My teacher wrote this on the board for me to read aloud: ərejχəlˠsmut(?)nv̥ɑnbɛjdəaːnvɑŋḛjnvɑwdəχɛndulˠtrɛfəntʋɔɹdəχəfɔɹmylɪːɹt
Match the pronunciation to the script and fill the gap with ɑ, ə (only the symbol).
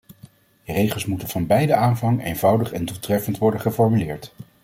ə